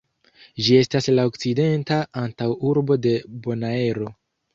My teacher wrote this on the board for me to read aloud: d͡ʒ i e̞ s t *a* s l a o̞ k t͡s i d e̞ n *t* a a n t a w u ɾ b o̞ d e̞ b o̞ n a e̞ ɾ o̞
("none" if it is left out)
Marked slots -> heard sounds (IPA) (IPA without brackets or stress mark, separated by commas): a, t